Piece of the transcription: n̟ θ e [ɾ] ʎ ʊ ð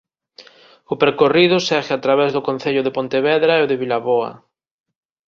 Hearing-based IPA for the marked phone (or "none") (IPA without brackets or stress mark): none